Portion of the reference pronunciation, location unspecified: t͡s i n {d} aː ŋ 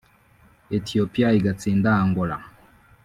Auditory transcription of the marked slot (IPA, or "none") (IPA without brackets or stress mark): d